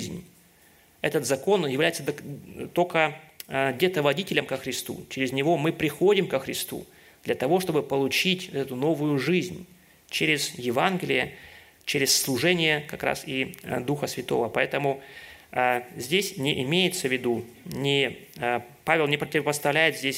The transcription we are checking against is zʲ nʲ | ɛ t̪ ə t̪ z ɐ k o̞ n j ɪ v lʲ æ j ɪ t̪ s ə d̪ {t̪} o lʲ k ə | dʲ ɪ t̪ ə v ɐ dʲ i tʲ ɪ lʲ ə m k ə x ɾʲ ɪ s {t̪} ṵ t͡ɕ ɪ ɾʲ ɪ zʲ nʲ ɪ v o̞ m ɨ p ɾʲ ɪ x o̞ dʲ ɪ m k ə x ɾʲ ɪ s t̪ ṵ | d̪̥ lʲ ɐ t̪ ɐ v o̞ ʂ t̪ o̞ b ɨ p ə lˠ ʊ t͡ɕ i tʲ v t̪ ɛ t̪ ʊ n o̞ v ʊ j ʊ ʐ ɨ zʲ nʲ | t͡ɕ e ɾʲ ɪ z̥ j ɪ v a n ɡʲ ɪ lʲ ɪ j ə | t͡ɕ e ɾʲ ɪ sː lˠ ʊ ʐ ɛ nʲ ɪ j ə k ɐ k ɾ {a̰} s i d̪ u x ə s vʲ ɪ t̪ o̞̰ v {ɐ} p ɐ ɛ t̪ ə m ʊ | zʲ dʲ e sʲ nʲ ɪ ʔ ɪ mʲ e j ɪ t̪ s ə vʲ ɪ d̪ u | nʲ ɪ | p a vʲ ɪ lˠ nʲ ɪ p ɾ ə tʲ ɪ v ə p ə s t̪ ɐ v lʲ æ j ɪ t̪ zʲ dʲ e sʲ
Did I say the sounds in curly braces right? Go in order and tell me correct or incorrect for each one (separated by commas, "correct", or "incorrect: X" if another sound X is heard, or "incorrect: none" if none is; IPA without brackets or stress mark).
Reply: correct, correct, correct, incorrect: ə